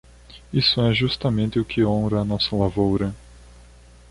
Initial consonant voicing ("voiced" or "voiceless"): voiceless